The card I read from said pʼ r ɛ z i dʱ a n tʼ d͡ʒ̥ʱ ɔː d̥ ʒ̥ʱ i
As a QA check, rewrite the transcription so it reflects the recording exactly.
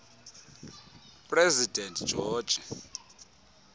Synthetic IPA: pʼ r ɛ z i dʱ ɛ n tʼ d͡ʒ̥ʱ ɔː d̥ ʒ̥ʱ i